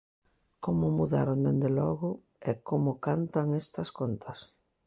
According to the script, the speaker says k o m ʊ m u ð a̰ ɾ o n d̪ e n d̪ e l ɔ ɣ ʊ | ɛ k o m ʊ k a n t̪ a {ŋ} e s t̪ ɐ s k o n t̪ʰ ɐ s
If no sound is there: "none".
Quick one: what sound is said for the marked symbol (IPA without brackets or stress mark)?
ŋ